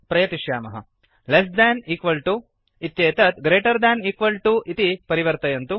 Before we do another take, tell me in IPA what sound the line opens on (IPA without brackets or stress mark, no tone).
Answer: p